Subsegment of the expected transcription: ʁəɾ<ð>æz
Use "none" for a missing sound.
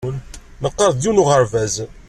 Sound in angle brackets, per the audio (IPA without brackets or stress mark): v